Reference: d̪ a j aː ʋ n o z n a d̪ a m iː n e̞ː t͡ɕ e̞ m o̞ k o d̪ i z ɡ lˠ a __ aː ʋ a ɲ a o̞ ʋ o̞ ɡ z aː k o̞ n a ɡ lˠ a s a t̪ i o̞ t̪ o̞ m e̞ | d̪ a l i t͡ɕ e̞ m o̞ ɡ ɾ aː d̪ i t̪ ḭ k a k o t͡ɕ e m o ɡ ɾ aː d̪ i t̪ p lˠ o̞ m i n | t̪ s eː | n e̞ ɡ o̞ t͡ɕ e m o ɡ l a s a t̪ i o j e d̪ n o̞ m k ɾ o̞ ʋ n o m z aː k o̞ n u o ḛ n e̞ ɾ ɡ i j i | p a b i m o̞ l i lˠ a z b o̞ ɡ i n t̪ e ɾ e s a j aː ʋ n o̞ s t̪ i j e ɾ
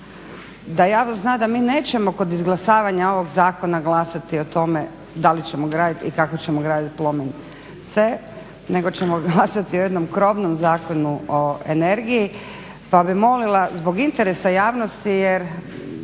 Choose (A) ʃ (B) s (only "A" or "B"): B